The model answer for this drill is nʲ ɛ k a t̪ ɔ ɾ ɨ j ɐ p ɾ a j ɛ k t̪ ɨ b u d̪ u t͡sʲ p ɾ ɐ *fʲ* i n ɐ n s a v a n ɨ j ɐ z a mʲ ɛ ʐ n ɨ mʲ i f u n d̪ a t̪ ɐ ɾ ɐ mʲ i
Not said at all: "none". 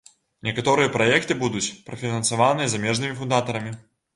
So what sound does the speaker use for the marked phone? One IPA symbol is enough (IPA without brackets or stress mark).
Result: fʲ